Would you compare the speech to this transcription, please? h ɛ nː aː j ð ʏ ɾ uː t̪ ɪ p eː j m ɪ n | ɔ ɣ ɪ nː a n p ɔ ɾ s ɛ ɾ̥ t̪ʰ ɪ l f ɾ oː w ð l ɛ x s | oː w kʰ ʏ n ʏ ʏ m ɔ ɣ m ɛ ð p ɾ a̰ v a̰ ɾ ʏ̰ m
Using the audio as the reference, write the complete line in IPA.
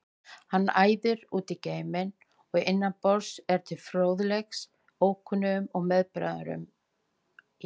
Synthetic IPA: h a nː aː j ð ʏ ɾ uː t̪ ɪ c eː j m ɪ n | ɔ ɣ ɪ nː a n p ɔ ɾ s ɛ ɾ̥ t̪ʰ ɪ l f ɾ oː w ð l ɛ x s | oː w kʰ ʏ n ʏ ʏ m ɔ ɣ m ɛ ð p ɾ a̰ ð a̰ ɾ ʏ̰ m